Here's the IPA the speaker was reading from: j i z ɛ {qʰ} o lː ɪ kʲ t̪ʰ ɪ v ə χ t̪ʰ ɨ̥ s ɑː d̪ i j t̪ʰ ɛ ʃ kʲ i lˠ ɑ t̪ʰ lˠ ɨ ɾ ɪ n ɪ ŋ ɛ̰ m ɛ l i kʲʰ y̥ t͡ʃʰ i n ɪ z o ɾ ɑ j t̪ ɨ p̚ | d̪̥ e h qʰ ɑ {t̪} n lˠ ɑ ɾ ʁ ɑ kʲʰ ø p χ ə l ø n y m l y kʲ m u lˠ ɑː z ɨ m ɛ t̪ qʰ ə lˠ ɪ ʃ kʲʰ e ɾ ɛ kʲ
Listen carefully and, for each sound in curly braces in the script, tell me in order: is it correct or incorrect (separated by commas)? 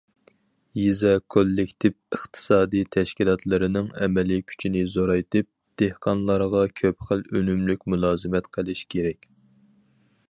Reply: incorrect, incorrect